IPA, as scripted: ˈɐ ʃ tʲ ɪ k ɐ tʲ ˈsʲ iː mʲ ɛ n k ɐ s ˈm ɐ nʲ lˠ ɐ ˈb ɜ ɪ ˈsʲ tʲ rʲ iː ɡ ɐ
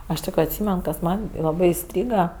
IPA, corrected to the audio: ˈɐ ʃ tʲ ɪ k ɐ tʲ ˈsʲ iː mʲ ɛ n k ɐ s ˈm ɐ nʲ lˠ ɐ ˈb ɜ ɪ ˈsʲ tʲ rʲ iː ɡ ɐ